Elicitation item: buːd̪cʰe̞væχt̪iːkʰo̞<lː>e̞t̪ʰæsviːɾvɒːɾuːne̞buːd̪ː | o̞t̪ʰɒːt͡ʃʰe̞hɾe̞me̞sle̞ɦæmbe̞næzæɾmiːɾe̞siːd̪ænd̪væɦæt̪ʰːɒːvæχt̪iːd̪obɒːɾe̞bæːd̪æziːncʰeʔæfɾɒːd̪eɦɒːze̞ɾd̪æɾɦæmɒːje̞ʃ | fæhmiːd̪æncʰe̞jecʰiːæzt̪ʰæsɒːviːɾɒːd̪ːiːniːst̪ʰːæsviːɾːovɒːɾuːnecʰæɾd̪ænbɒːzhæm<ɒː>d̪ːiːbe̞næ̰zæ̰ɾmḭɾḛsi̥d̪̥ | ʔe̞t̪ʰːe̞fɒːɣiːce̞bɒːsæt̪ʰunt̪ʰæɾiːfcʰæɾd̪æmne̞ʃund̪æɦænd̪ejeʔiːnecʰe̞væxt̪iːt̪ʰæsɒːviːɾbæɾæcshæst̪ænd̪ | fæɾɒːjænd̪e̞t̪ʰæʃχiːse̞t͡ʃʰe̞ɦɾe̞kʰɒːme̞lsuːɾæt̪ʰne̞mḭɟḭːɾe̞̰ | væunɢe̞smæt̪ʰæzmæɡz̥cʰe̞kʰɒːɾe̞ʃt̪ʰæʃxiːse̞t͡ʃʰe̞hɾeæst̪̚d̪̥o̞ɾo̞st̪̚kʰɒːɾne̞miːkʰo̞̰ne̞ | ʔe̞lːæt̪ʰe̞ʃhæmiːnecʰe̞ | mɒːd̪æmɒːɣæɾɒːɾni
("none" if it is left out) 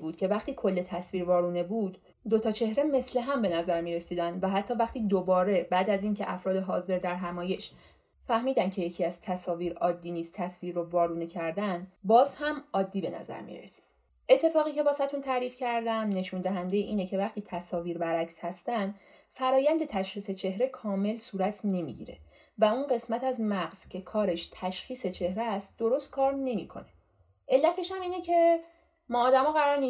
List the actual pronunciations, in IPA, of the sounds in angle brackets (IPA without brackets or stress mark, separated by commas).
lː, ɒː